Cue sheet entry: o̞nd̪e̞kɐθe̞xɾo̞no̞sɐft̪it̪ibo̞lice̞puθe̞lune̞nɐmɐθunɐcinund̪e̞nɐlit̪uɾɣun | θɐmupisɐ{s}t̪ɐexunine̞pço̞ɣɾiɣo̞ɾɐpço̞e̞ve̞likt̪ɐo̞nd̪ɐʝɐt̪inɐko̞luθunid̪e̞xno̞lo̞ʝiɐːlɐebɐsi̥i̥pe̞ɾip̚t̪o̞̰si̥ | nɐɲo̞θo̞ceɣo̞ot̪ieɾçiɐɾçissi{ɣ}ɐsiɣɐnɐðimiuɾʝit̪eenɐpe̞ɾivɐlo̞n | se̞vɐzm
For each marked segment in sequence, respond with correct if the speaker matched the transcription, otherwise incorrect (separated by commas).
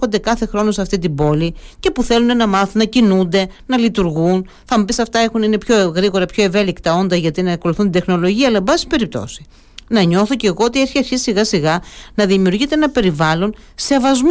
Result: incorrect, correct